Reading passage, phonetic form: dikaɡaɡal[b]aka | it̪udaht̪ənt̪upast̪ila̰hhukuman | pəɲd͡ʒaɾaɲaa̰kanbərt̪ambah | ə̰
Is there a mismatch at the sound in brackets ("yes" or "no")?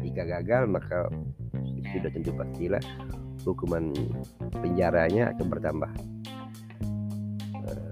yes